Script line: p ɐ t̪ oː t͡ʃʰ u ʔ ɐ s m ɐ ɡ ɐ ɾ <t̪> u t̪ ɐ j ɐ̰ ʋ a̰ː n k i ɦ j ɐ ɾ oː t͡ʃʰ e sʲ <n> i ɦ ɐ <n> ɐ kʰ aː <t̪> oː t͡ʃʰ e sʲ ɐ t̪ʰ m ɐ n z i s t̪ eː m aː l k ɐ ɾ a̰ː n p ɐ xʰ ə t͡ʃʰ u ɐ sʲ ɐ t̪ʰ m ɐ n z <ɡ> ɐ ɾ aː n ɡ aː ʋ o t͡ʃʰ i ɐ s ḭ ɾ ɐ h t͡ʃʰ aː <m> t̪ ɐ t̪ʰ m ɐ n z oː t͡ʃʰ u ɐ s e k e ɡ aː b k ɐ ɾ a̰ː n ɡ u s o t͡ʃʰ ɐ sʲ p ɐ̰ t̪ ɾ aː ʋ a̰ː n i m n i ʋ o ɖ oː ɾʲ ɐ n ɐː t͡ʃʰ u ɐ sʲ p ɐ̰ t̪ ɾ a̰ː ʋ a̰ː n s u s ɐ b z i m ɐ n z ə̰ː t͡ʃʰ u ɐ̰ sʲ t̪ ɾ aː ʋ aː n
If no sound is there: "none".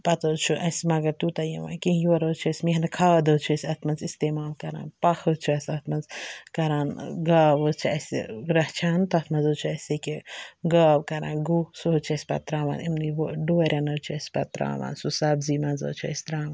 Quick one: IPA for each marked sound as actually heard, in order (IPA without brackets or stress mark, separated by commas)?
t̪, m, n, d̪, k, n